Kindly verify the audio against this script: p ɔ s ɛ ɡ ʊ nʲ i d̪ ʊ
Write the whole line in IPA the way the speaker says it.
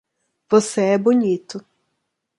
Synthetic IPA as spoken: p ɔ s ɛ b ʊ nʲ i t̪ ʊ